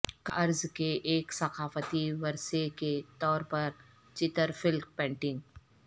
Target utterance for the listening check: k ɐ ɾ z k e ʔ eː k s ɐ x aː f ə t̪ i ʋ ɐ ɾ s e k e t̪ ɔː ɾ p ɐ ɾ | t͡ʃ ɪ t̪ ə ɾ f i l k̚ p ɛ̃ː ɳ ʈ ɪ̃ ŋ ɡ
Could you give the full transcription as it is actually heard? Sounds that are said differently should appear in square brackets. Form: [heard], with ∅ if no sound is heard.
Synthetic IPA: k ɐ ɾ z k e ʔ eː k s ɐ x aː f ə t̪ i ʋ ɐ ɾ s e k e t̪ ɔː ɾ p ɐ ɾ | t͡ʃ ɪ t̪ ə ɾ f [ɪ] l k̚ p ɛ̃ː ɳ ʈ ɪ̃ ŋ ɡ